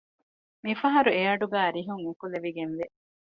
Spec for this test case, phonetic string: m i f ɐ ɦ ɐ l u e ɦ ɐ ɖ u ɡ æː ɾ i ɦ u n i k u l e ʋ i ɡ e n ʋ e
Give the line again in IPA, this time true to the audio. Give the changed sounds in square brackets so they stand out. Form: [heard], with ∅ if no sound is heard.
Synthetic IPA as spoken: m i f ɐ ɦ ɐ [ɾ] u e [∅] ɐ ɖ u ɡ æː ɾ i ɦ u [ŋ] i k u l e ʋ i ɡ e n ʋ e